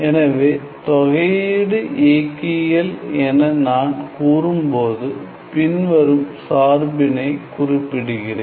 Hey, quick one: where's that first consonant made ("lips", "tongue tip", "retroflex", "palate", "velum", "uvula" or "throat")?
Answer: tongue tip